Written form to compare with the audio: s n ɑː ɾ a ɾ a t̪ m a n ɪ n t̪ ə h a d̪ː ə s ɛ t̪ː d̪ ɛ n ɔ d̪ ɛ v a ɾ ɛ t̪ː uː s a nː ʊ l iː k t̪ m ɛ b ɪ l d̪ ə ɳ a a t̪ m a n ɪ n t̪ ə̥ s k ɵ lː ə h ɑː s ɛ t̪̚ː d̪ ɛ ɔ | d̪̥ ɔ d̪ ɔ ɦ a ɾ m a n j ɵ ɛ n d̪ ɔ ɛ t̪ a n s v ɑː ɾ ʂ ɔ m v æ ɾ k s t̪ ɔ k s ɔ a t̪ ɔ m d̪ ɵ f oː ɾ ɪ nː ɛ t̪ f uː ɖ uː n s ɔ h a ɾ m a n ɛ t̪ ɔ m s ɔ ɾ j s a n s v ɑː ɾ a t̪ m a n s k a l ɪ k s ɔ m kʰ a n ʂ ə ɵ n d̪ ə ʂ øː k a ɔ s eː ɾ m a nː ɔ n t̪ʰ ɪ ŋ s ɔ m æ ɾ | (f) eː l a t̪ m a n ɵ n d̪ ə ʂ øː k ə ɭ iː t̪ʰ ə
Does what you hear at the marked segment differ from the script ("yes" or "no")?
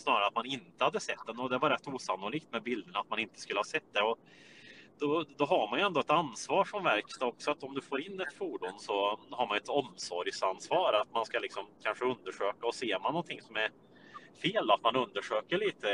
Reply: no